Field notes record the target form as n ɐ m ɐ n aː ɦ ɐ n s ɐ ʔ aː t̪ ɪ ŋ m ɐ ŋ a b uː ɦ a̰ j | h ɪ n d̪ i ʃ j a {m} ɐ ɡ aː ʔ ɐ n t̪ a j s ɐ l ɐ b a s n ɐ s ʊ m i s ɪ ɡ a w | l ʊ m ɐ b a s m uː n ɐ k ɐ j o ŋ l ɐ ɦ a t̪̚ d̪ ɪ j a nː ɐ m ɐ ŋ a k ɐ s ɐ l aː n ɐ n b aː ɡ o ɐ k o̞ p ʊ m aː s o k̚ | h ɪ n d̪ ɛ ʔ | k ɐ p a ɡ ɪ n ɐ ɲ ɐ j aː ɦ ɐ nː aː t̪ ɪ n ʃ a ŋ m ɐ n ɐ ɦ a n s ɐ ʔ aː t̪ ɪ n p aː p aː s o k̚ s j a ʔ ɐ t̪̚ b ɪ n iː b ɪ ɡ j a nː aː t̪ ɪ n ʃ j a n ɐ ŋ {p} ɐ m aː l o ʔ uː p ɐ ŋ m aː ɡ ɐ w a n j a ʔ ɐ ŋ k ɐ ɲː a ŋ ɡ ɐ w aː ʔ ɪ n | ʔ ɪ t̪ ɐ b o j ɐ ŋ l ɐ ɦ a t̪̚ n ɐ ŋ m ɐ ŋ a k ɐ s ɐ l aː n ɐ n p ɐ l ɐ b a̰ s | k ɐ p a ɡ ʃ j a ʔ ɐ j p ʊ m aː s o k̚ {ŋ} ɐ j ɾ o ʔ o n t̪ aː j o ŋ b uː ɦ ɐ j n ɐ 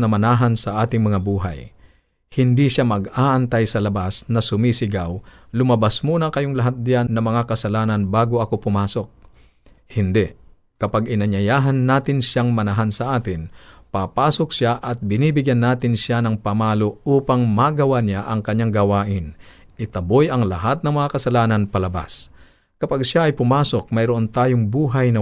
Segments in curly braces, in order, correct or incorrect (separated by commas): correct, correct, incorrect